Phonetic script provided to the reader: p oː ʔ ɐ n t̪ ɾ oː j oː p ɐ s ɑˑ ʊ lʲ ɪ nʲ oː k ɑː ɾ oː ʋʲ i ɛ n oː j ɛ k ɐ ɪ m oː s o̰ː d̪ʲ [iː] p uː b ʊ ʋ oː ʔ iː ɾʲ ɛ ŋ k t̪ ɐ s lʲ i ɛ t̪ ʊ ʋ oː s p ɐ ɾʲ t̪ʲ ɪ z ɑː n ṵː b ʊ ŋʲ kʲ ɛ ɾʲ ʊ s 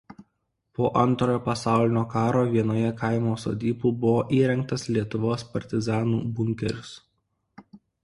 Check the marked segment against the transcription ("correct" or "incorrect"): correct